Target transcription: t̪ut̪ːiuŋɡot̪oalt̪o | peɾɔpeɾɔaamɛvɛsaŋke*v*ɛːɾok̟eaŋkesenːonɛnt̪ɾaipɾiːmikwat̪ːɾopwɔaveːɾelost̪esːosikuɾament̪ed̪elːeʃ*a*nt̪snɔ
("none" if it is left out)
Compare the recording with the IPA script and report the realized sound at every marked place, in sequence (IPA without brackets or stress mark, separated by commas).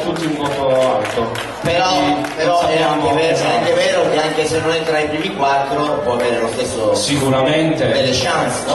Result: v, a